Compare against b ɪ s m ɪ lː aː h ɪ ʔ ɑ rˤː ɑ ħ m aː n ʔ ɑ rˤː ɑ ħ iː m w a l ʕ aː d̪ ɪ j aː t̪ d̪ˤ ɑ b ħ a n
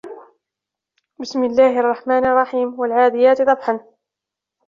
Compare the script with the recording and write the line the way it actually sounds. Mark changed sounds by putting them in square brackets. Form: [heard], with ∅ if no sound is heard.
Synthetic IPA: b ɪ s m ɪ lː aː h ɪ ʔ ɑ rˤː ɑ ħ m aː n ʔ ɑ rˤː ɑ ħ iː m w a l ʕ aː d̪ ɪ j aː t̪ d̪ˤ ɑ b ħ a n

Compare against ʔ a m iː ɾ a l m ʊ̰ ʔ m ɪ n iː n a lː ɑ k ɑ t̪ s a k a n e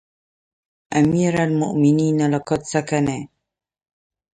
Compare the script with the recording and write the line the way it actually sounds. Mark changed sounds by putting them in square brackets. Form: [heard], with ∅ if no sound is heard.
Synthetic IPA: ʔ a m iː ɾ a l m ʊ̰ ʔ m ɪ n iː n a [l] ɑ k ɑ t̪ s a k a n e

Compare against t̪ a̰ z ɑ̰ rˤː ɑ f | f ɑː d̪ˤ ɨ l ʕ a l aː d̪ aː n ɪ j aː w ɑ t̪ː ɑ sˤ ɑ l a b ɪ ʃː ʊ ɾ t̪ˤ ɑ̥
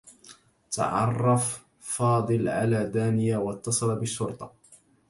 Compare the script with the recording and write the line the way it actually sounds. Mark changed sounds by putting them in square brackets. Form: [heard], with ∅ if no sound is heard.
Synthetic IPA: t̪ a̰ [ʕ] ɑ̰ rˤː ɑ f | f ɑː d̪ˤ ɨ l ʕ a l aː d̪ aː n ɪ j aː w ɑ t̪ː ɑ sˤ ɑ l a b ɪ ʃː ʊ ɾ t̪ˤ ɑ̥

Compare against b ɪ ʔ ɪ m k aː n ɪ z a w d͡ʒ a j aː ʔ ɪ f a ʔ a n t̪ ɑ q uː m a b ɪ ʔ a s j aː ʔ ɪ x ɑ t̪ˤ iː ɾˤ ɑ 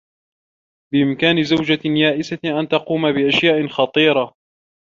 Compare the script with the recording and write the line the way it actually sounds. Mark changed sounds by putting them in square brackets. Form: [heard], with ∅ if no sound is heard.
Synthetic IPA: b ɪ ʔ ɪ m k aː n ɪ z a w d͡ʒ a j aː ʔ ɪ [s] a ʔ a n t̪ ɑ q uː m a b ɪ ʔ a [ʃ] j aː ʔ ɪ x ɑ t̪ˤ iː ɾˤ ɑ

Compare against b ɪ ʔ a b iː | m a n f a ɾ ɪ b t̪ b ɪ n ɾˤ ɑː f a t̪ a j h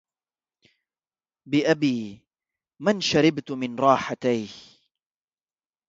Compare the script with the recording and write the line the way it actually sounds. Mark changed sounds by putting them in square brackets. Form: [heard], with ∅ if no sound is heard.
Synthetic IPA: b ɪ ʔ a b iː | m a n [ʃ] a ɾ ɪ b t̪ [m] ɪ n ɾˤ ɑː [ħ] a t̪ a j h

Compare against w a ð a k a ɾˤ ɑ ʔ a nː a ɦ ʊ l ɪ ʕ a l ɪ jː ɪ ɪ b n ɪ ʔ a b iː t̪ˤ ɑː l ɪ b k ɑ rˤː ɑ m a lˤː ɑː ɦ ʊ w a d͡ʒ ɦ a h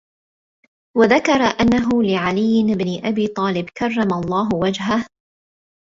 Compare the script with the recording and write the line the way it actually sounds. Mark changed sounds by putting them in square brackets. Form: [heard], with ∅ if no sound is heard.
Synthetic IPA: w a ð a k [ɑ] ɾˤ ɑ ʔ a nː a ɦ ʊ l ɪ ʕ a l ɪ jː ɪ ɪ b n ɪ ʔ a b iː t̪ˤ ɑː l ɪ b k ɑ rˤː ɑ m a lˤː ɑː ɦ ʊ w a d͡ʒ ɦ a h

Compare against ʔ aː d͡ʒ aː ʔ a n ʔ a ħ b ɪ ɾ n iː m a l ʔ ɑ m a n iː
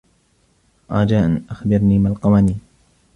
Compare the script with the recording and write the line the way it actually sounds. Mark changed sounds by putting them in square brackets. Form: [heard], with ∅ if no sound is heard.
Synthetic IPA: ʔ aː d͡ʒ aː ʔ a n ʔ a [x] b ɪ ɾ n iː m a l [q] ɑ m a n iː

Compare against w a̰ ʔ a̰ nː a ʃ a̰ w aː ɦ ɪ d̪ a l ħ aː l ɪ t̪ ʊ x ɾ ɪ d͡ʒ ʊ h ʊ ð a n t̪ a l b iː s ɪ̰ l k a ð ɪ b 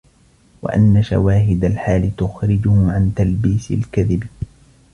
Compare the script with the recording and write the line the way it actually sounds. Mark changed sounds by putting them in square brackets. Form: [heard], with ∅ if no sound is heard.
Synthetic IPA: w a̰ ʔ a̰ nː a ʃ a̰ w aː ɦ ɪ d̪ a l ħ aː l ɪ t̪ ʊ x ɾ ɪ d͡ʒ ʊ h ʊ [ʕ] a n t̪ a l b iː s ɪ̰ l k a ð ɪ b

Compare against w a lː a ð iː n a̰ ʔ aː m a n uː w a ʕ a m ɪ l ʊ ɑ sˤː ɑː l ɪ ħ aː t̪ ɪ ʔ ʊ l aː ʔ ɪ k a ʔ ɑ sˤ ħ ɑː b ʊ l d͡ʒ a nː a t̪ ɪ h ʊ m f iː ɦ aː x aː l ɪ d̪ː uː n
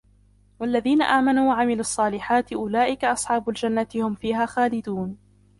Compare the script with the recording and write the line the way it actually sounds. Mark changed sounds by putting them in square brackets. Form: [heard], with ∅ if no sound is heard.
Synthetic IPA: w a lː a ð iː n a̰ ʔ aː m a n uː w a ʕ a m ɪ l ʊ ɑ sˤː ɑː l ɪ ħ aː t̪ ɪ ʔ ʊ l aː ʔ ɪ k a ʔ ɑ sˤ ħ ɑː b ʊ l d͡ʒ a nː a t̪ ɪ h ʊ m f iː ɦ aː x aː l ɪ [d̪] uː n

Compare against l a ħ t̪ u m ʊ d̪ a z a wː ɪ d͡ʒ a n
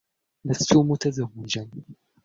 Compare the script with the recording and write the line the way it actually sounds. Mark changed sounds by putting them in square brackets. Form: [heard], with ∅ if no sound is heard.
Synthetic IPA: l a [s] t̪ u m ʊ [t̪] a z a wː ɪ d͡ʒ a n

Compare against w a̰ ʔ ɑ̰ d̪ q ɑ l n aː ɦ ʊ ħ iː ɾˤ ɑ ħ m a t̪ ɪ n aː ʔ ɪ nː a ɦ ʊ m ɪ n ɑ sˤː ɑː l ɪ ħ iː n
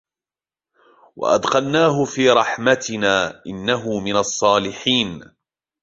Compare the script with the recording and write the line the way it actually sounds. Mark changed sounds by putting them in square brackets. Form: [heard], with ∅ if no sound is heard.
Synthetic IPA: w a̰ ʔ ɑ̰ d̪ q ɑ l n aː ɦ ʊ [f] iː ɾˤ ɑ ħ m a t̪ ɪ n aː ʔ ɪ nː a ɦ ʊ m ɪ n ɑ sˤː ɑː l ɪ ħ iː n

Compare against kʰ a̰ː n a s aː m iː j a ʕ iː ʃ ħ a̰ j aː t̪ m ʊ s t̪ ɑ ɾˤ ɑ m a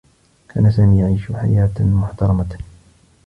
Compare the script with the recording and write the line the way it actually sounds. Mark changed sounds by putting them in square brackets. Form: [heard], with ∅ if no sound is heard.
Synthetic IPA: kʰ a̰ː n a s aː m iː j a ʕ iː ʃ ħ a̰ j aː t̪ m ʊ [ħ] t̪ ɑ ɾˤ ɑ m a

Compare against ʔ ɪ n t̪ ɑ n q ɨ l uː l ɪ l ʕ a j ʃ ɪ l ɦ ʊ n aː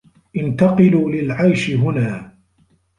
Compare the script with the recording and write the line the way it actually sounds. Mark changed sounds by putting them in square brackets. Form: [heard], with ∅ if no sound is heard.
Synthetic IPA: ʔ ɪ n t̪ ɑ [∅] q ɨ l uː l ɪ l ʕ a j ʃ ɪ [∅] ɦ ʊ n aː

